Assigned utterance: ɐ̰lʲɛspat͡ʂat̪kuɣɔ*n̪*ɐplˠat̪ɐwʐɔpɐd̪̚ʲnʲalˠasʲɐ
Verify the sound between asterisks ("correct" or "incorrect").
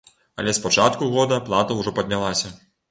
incorrect